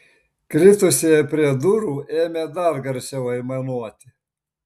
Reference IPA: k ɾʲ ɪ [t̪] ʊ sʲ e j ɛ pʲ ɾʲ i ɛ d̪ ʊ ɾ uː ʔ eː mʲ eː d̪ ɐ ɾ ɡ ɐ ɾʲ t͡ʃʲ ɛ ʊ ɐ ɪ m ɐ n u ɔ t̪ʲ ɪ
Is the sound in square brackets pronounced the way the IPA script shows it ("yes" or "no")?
yes